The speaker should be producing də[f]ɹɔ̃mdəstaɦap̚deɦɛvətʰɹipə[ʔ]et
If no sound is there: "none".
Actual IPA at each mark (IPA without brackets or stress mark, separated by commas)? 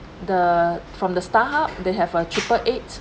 f, ʔ